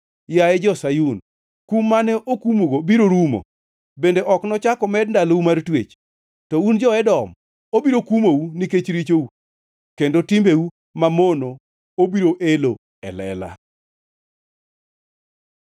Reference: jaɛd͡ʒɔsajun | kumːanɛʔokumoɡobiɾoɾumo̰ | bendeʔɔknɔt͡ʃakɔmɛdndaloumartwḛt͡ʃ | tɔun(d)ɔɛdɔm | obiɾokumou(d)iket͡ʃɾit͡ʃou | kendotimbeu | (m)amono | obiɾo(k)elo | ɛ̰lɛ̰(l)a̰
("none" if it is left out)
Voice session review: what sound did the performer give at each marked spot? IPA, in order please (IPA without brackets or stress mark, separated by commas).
d͡ʒ, n, m, ʔ, l